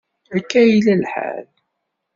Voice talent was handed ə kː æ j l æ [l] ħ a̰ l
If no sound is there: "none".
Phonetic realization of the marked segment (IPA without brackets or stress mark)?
l